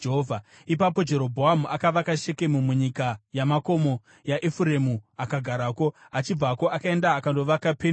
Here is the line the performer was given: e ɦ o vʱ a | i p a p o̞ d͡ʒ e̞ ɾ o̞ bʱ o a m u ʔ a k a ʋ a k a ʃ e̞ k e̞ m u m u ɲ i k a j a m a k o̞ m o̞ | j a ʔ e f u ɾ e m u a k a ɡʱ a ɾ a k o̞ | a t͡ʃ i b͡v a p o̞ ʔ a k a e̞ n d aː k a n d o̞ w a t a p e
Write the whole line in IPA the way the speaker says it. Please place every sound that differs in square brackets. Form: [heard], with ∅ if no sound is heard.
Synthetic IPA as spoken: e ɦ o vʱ a | i p a p o̞ d͡ʒ e̞ ɾ o̞ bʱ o a m u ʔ a k a ʋ a k a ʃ e̞ k e̞ m u m u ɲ i k a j a m a k o̞ m o̞ | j a ʔ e f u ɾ e m u a k a ɡʱ a ɾ a k o̞ | a t͡ʃ i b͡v a [k] o̞ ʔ a k a e̞ n d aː k a n d o̞ [ʋ] a [k] a p e